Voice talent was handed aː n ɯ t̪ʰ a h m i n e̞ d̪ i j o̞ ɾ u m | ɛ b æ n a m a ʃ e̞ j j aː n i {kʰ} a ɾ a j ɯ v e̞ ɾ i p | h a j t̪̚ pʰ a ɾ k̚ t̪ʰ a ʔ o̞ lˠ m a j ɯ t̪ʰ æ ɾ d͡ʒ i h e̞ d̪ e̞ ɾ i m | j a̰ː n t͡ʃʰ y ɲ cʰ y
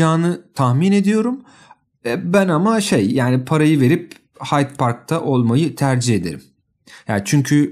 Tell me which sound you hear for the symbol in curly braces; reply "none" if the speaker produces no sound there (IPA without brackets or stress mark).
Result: pʰ